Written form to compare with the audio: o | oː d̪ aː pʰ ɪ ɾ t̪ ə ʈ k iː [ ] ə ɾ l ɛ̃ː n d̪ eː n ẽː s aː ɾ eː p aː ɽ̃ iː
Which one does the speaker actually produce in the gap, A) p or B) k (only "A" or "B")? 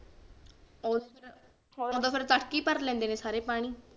A